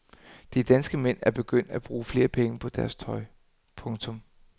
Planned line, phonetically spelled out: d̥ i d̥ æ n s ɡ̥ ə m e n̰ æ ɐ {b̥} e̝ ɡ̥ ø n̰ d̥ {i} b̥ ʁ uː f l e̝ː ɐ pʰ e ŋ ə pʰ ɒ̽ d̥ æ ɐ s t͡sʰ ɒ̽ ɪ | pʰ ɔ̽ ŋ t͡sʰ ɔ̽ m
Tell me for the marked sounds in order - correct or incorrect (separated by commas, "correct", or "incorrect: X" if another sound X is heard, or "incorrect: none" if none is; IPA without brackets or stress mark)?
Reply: correct, incorrect: æ